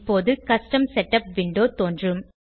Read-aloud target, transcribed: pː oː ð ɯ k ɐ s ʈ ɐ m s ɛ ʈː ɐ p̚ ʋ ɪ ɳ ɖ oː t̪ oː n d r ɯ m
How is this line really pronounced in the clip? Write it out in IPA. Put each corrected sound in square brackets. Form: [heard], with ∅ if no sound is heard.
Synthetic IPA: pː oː ð ɯ k ɐ s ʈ ɐ m s ɛ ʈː ɐ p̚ ʋ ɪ ɳ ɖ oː t̪ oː n d r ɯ m